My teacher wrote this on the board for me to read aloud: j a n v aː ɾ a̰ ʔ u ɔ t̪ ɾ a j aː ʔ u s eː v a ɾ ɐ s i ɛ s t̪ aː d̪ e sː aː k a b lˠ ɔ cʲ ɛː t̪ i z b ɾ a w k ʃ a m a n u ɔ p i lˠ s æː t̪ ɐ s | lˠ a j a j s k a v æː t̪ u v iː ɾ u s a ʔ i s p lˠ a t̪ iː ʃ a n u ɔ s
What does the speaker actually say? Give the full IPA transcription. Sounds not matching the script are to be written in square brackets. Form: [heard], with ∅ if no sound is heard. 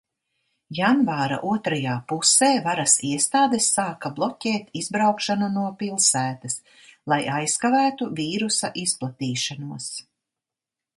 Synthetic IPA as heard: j a n v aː ɾ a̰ ʔ u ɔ t̪ ɾ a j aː [p] u s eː v a ɾ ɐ s i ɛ s t̪ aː d̪ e sː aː k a b lˠ ɔ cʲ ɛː t̪ i z b ɾ a w k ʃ a [n] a n u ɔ p i lˠ s æː t̪ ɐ s | lˠ a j a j s k a v æː t̪ u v iː ɾ u s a ʔ i s p lˠ a t̪ iː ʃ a n u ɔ s

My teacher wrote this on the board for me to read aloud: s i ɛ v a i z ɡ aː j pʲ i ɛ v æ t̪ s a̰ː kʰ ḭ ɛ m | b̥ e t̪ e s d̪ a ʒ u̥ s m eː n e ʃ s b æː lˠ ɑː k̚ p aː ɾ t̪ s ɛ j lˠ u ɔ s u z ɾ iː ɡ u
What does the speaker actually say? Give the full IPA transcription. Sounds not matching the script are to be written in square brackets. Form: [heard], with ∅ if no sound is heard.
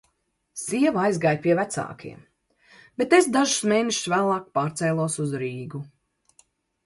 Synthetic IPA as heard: s i ɛ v a [j] z ɡ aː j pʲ i ɛ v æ t̪ s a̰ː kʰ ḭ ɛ m | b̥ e t̪ e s d̪ a ʒ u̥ s m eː n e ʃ s [v] æː lˠ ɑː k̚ p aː ɾ t̪ s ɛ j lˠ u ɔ s u z ɾ iː ɡ u

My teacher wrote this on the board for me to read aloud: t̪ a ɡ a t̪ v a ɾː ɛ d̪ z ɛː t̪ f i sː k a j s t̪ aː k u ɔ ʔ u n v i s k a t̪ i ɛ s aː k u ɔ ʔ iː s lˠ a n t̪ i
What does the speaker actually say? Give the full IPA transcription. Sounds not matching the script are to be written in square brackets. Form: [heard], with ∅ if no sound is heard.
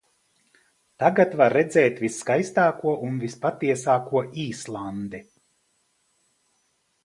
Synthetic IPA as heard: t̪ a ɡ a t̪ v a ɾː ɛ d̪ z ɛː t̪ [v] i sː k a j s t̪ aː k u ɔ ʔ u n v i s [p] a t̪ i ɛ s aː k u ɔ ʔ iː s lˠ a n [d̪] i

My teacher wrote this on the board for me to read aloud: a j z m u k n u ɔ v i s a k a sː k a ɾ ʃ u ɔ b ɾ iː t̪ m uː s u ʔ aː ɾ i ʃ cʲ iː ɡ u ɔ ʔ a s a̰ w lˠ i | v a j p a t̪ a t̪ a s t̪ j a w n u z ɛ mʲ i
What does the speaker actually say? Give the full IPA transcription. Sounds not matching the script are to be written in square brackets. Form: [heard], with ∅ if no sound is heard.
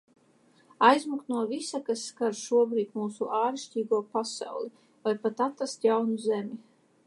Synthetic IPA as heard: a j z m u k n u ɔ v i s a k a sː k a ɾ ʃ u ɔ b ɾ iː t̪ m uː s u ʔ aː ɾ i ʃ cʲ iː ɡ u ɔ [p] a s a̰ w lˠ i | v a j p a t̪ a t̪ a s t̪ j a w n u z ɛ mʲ i

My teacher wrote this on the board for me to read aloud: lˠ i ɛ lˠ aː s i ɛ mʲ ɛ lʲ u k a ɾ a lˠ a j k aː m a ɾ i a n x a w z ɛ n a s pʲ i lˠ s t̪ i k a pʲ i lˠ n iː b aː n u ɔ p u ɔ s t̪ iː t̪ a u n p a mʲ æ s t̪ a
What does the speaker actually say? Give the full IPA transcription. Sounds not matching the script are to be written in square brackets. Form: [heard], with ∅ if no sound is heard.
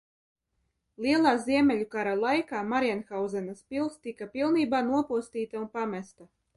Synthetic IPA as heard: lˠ i ɛ lˠ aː [z] i ɛ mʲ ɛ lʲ u k a ɾ a lˠ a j k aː m a ɾ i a n x a w z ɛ n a s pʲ i lˠ s t̪ i k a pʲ i lˠ n iː b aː n u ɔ p u ɔ s t̪ iː t̪ a u n p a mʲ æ s t̪ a

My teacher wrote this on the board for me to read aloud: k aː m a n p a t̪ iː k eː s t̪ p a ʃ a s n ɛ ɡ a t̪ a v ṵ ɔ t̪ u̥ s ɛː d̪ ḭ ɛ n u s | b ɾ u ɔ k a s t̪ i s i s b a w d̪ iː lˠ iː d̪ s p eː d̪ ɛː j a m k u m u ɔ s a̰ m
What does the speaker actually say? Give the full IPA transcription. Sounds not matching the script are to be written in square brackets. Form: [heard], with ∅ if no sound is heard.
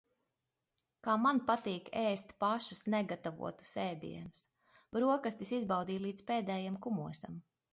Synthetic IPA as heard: k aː m a n p a t̪ iː k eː s t̪ p a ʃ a s n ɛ ɡ a t̪ a v ṵ ɔ t̪ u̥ s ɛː d̪ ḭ ɛ n u s | b ɾ u ɔ k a s t̪ i s i [z] b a w d̪ iː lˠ iː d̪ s p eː d̪ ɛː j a m k u m u ɔ s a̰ m

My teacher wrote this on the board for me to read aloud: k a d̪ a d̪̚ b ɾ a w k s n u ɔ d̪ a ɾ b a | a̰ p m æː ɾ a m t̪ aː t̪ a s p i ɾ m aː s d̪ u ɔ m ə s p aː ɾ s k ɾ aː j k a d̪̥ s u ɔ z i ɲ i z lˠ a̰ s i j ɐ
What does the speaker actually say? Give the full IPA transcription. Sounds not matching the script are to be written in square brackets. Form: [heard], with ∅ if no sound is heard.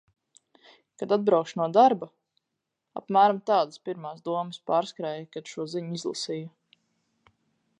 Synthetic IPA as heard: k a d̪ a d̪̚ b ɾ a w k [ʃ] n u ɔ d̪ a ɾ b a | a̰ p m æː ɾ a m t̪ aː [d̪] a s p i ɾ m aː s d̪ u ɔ m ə s p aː ɾ s k ɾ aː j k a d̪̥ [ʃ] u ɔ z i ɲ i z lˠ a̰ s i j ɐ

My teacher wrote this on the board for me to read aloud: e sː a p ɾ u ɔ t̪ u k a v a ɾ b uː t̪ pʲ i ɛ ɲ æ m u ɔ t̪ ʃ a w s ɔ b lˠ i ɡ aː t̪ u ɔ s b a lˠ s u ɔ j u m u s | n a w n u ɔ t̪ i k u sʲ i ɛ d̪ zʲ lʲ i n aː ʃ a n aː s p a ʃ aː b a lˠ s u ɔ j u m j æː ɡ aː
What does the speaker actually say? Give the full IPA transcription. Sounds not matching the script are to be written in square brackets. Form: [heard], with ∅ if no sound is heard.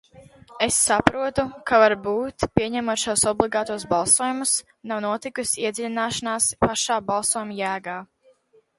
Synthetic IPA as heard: e sː a p ɾ u ɔ t̪ u k a v a ɾ b uː t̪ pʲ i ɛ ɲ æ m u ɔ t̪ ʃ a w s ɔ b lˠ i ɡ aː t̪ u ɔ s b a lˠ s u ɔ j u m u s | n a w n u ɔ t̪ i k u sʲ i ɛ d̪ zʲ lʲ i n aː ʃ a n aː s p a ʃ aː b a lˠ s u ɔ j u m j æː ɡ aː

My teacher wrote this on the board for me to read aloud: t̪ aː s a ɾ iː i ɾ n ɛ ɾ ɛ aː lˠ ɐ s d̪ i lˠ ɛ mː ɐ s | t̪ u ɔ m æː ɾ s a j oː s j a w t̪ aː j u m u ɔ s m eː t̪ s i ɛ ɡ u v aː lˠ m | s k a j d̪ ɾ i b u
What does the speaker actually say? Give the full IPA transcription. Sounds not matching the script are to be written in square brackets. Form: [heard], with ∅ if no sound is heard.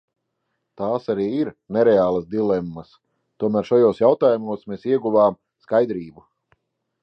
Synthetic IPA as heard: t̪ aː s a ɾ iː i ɾ n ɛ ɾ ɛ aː lˠ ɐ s d̪ i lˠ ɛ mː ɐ s | t̪ u ɔ m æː ɾ [ʃ] a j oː s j a w t̪ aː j u m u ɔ s m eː [∅] s i ɛ ɡ u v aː [∅] m | s k a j d̪ ɾ [iː] b u

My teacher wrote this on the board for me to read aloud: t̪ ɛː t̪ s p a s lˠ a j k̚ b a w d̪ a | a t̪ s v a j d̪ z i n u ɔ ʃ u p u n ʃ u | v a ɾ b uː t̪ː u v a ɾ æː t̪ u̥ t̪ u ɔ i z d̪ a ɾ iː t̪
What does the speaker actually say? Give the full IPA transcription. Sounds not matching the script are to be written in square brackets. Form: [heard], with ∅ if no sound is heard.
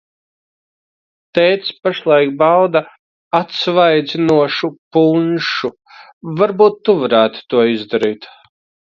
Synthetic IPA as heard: t̪ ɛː t̪ s p a [ʃ] lˠ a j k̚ b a w d̪ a | a t̪ s v a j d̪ z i n u ɔ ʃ u p u n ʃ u | v a ɾ b uː t̪ː u v a ɾ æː t̪ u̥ t̪ u ɔ i z d̪ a ɾ iː t̪

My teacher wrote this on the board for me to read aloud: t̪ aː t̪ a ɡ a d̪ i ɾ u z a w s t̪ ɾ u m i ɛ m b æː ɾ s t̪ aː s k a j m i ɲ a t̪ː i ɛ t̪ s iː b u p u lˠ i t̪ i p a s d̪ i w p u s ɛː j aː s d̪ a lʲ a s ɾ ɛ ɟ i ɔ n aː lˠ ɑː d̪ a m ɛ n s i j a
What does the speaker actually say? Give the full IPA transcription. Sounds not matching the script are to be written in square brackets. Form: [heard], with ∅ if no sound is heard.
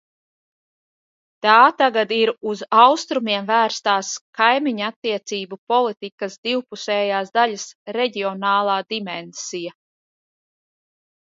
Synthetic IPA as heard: t̪ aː t̪ a ɡ a d̪ i ɾ u z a w s t̪ ɾ u m i ɛ m [v] æː ɾ s t̪ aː s k a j m i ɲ a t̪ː i ɛ t̪ s iː b u p [ɔ] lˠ i t̪ i [k] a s d̪ i w p u s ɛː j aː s d̪ a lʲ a s ɾ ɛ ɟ i ɔ n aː lˠ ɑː d̪ [i] m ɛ n s i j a

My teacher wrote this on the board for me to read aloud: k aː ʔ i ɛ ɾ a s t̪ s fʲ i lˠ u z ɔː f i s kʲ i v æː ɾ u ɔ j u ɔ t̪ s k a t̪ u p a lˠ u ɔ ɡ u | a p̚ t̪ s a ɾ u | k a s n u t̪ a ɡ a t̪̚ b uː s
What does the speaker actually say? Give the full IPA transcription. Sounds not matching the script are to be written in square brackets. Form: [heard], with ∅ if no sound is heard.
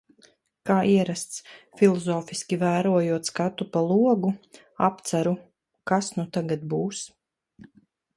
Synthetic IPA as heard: k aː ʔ i ɛ ɾ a s t̪ s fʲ i lˠ [ɔ] z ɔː f i s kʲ i v æː ɾ u ɔ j u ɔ t̪ s k a t̪ u p a lˠ u ɔ ɡ u | a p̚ t̪ s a ɾ u | k a s n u t̪ a ɡ a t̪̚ b uː s

